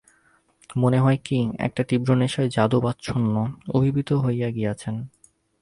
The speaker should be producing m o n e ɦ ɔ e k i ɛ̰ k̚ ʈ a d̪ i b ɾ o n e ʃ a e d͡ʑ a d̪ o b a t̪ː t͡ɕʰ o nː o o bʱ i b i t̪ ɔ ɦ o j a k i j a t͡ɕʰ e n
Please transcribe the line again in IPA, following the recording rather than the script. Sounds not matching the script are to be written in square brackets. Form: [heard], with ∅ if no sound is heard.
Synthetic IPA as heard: m o n e ɦ ɔ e k i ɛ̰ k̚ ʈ a [t̪] i b ɾ o n e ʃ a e d͡ʑ a d̪ o b a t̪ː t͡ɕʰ o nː o o bʱ i b i t̪ [o] ɦ o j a [ɡ] i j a t͡ɕʰ e n